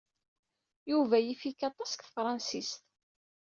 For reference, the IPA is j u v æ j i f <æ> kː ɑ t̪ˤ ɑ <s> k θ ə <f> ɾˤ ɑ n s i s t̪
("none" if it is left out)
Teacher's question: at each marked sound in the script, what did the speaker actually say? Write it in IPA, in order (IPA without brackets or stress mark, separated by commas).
i, s, f